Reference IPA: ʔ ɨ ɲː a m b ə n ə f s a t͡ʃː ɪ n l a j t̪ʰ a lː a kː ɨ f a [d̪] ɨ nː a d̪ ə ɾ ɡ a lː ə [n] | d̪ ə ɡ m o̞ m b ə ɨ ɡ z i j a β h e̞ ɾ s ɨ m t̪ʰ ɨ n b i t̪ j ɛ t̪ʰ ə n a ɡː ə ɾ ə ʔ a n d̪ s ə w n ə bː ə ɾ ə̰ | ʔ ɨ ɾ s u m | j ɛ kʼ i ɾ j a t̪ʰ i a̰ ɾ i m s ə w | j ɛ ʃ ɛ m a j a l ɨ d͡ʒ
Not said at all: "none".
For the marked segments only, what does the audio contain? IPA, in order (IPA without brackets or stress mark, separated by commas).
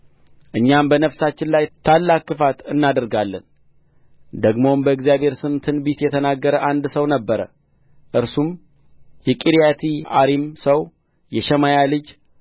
t̪, n